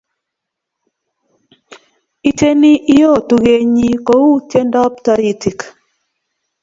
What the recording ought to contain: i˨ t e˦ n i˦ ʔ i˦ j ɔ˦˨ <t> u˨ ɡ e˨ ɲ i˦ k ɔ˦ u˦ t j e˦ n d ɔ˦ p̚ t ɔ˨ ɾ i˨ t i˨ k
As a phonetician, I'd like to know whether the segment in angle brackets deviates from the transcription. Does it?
no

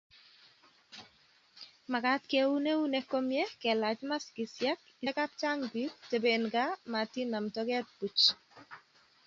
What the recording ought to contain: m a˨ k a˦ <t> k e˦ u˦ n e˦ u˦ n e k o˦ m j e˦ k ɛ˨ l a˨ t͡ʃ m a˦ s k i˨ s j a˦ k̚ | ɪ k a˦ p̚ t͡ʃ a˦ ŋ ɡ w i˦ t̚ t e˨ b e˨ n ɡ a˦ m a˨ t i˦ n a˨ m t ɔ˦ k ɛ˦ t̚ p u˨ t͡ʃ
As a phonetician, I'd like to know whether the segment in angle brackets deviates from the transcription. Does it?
no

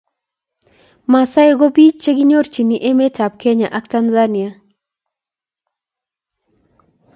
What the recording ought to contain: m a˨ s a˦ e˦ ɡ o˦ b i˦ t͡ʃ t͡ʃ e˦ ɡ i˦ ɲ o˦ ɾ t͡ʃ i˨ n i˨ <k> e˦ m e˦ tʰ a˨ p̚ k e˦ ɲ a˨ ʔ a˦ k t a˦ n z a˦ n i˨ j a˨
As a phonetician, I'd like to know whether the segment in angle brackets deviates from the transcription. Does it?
yes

